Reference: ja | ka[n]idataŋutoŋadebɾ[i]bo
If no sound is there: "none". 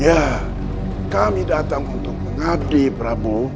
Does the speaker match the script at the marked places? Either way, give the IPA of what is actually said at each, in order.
m, a

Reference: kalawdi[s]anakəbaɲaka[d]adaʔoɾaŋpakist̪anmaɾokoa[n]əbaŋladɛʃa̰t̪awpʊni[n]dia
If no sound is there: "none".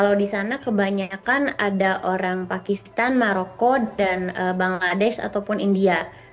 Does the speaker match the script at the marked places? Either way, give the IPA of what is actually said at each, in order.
s, n, n, n

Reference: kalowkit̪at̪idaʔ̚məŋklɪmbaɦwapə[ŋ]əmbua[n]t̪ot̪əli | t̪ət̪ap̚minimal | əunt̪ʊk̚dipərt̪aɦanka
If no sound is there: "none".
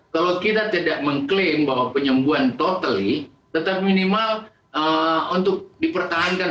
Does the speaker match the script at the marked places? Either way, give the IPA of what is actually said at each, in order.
ɲ, n

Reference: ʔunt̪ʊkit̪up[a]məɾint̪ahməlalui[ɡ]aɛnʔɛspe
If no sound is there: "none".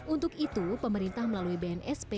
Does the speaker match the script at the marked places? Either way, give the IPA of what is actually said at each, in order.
ə, b

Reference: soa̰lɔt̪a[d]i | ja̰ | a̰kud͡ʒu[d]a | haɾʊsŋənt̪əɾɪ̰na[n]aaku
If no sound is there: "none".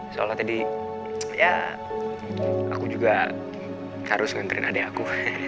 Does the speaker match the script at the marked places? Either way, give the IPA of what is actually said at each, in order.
d, ɡ, d

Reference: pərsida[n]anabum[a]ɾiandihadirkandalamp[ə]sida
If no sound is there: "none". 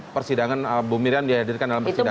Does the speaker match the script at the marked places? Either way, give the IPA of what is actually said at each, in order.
ŋ, i, ə

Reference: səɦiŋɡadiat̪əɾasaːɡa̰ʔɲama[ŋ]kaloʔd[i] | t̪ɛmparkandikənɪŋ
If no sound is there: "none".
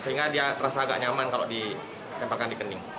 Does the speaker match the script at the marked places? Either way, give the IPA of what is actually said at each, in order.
n, i

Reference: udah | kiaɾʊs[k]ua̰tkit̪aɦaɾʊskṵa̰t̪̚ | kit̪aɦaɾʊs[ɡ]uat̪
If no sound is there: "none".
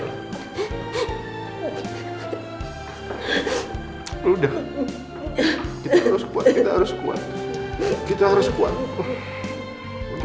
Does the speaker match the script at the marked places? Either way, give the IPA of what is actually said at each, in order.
k, k

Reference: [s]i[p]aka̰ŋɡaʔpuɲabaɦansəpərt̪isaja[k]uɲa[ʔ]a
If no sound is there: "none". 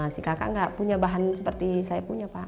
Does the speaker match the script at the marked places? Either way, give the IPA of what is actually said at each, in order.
s, k, p, p

